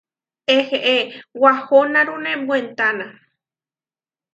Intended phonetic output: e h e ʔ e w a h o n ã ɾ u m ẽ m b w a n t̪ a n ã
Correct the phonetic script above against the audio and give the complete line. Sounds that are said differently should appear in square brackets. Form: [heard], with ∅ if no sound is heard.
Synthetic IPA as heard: e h e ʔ e w a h o n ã ɾ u [n] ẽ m b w [e] n t̪ a n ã